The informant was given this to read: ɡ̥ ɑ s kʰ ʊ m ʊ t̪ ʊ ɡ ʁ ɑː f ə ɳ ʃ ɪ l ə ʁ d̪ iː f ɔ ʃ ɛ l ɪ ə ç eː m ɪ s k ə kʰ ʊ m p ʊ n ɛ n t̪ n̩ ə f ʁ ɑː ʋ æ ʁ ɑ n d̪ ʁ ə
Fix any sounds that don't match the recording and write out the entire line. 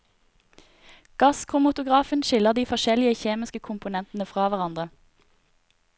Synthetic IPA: ɡ̥ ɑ s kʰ ʊ m ʊ t̪ ʊ ɡ ʁ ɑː f ə n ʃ ɪ l ə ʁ d̪ iː f ɔ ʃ ɛ l ɪ ə ç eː m ɪ s k ə kʰ ʊ m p ʊ n ɛ n t̪ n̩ ə f ʁ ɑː ʋ æ ʁ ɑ n d̪ ʁ ə